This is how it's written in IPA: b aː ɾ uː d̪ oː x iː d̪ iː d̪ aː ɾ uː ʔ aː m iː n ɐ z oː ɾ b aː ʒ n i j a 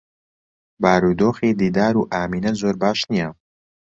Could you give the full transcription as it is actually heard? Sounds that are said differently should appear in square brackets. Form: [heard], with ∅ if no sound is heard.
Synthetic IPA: b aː ɾ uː d̪ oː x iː d̪ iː d̪ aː ɾ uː ʔ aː m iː n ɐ z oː ɾ b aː [ʃ] n i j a